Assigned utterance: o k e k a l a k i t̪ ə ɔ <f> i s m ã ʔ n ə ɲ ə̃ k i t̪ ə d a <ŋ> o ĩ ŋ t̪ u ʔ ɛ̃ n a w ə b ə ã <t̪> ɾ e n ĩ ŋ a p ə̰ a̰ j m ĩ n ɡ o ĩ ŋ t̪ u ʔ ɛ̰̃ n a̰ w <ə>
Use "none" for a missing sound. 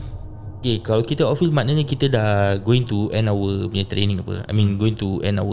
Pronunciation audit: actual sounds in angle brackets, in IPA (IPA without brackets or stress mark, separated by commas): f, ɡ, t̪, ə